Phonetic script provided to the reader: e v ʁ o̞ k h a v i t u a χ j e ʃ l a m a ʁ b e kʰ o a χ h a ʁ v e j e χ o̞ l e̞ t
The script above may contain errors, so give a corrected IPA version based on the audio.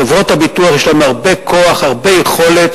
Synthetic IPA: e v ʁ o̞ t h a b i t u a χ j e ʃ l a m a ʁ b e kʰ o a χ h a ʁ b e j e χ o̞ l e̞ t